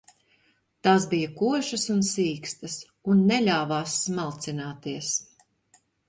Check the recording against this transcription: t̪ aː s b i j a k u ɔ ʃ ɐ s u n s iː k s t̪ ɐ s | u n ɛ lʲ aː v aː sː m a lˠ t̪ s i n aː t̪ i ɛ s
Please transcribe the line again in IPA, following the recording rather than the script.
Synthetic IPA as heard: t̪ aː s b i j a k u ɔ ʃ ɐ s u n s iː k s t̪ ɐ s | u nː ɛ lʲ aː v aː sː m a lˠ t̪ s i n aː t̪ i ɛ s

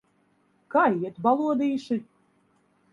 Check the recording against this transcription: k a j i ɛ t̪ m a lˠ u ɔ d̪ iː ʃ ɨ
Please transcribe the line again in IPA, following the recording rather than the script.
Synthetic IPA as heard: k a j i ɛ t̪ b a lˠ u ɔ d̪ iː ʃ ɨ

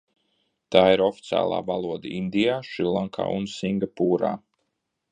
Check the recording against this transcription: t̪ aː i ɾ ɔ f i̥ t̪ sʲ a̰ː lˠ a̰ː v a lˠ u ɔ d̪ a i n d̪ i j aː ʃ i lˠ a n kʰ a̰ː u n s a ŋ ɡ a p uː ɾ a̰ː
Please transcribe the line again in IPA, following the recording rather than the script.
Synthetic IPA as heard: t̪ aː i ɾ ɔ f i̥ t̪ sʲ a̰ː lˠ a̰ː v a lˠ u ɔ d̪ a i n d̪ i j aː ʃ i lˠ a ŋ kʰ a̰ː u n s i ŋ ɡ a p uː ɾ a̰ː

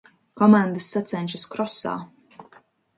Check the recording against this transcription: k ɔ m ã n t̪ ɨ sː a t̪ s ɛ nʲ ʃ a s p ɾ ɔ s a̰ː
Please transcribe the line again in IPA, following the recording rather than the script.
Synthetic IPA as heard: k ɔ m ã n d̪ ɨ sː a t̪ s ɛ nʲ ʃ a s k ɾ ɔ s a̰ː

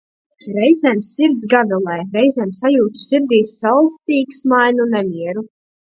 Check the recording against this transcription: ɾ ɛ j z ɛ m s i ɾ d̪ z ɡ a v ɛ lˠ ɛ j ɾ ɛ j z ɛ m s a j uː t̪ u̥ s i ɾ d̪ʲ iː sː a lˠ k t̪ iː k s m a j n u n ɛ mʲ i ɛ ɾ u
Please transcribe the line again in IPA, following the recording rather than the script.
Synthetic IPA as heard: ɾ ɛ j z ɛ m s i ɾ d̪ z ɡ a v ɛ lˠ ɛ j ɾ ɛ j z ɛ m s a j uː t̪ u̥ s i ɾ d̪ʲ iː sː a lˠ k t̪ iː k s m a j n u n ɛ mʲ i ɛ ɾ u

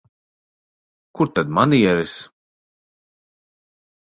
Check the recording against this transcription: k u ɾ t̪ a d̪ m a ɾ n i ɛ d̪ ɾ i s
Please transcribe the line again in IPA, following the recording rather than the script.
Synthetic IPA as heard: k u ɾ t̪ a d̪ m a n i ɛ ɾ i s

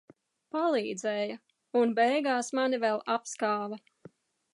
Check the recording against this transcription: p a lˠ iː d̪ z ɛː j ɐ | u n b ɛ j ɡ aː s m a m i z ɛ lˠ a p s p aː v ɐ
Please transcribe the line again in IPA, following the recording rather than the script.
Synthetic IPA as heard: p a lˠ iː d̪ z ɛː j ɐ | u n b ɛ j ɡ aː s m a n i v ɛ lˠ a p s k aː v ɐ

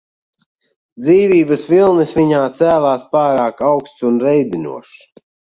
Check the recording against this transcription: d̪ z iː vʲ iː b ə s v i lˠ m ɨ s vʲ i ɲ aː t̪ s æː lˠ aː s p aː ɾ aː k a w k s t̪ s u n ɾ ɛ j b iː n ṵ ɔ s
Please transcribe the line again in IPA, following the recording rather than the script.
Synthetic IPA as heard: d̪ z iː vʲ iː b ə s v i lˠ n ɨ s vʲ i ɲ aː t̪ s æː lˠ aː s p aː ɾ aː k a w k s t̪ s u n ɾ ɛ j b i n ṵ ɔ ʃ

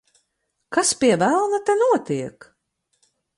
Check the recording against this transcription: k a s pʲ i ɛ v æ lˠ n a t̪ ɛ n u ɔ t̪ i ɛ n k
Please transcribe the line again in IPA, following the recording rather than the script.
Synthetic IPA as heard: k a s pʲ i ɛ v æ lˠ n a t̪ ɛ n u ɔ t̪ i ɛ k

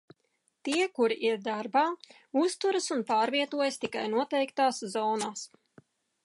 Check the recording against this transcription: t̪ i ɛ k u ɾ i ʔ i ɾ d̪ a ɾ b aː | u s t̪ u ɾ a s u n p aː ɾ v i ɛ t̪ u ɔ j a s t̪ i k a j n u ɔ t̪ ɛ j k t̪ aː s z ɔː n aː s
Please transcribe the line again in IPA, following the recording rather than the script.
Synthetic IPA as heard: t̪ i ɛ k u ɾ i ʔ i ɾ d̪ a ɾ b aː | u s t̪ u ɾ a s u n p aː ɾ v i ɛ t̪ u ɔ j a s t̪ i k a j n u ɔ t̪ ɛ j k t̪ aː s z ɔː n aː s

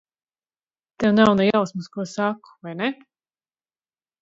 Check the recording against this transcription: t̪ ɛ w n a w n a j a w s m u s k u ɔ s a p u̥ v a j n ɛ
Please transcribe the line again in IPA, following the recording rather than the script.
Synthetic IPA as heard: t̪ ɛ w n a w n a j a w s m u s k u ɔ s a k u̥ v a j n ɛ

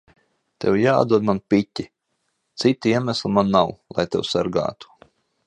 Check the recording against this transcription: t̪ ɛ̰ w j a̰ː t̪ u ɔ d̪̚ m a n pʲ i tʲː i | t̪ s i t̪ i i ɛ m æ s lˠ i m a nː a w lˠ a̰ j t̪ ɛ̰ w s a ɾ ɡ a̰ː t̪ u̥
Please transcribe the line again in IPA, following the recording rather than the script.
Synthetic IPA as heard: t̪ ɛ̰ w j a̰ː d̪ u ɔ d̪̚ m a n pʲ i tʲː i | t̪ s i t̪ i i ɛ m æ s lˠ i m a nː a w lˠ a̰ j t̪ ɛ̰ w s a ɾ ɡ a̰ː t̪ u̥

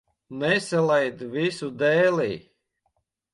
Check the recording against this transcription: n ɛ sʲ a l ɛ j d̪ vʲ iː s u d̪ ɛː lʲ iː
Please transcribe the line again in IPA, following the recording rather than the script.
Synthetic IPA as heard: n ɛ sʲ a l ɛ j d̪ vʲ i s u d̪ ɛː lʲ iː

